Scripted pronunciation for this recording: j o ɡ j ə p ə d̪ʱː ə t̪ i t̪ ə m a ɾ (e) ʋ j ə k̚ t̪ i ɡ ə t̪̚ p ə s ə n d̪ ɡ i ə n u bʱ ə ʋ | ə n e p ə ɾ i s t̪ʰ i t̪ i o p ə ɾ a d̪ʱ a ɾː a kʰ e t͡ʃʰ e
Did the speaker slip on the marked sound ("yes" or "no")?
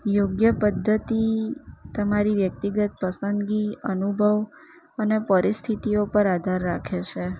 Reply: yes